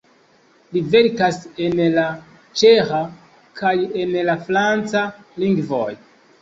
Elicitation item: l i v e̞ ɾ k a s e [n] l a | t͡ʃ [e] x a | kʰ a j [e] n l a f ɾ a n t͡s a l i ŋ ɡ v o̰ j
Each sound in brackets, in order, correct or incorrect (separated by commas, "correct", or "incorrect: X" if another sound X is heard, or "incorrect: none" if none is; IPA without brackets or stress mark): correct, correct, correct